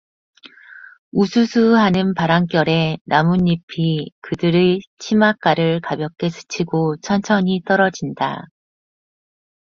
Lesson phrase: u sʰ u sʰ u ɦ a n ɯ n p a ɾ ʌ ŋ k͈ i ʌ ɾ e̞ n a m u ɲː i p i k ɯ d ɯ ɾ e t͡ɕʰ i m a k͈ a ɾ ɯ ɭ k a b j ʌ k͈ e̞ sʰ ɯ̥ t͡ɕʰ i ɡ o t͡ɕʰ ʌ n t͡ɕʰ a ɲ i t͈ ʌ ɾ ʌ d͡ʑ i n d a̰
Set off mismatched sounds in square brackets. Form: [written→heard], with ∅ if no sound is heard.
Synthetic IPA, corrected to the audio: u sʰ u sʰ u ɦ a n ɯ n p a ɾ [ʌ→a] ŋ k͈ [i→j] ʌ ɾ e̞ n a m u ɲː i [p→pʰ] i k ɯ d ɯ ɾ e t͡ɕʰ i m a k͈ a ɾ ɯ ɭ k a b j ʌ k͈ e̞ sʰ ɯ̥ t͡ɕʰ i ɡ o t͡ɕʰ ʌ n t͡ɕʰ [a→ʌ] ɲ i t͈ ʌ ɾ ʌ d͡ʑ i n d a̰